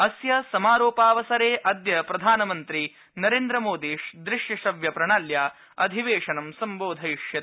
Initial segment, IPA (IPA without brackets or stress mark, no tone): ɐ